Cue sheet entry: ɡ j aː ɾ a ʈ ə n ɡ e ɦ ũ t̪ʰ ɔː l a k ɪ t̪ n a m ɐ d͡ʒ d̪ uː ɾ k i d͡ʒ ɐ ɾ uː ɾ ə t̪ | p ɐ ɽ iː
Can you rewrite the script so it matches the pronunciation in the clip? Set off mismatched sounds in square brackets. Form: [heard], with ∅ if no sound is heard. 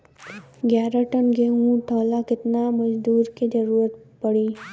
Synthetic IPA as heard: ɡ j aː ɾ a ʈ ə n ɡ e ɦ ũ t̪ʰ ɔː l a k ɪ t̪ n a m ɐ d͡ʒ d̪ uː ɾ k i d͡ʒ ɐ ɾ uː ɾ ə t̪ | p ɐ ɽ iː